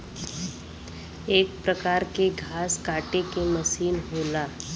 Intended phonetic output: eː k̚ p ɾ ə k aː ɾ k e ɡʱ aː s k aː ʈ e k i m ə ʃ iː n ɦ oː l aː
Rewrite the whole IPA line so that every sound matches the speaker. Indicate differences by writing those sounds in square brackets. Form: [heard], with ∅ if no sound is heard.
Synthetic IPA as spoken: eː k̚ p ɾ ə k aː ɾ k e ɡʱ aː s k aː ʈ e k [e] m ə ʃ iː n ɦ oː l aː